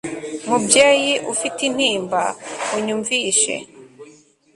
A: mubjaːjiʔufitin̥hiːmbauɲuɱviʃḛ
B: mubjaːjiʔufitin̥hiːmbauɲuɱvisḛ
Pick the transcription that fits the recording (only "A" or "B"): A